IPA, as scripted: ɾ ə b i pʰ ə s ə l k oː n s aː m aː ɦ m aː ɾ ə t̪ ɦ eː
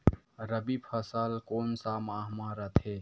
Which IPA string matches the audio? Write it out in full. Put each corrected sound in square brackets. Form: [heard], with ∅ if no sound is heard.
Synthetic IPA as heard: ɾ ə b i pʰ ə s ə l k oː n s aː m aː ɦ m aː ɾ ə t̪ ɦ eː